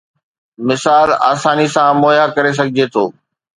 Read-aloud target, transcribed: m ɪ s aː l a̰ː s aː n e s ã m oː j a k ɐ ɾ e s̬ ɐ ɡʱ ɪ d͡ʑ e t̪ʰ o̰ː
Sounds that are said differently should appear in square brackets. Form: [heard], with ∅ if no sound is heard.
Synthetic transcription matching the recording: m ɪ s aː l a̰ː s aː n [i] s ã m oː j a k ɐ ɾ e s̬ ɐ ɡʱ ɪ d͡ʑ e t̪ʰ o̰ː